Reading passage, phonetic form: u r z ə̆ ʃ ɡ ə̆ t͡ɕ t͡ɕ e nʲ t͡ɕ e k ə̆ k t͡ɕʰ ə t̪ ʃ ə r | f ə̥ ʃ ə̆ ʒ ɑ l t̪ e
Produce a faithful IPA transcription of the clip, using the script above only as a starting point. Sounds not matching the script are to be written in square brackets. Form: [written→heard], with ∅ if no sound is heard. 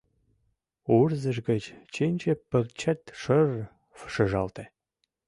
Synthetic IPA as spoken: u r z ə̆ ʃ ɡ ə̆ t͡ɕ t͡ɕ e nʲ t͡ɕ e [k→p] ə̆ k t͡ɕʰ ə t̪ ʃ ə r | f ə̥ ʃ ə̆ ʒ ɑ l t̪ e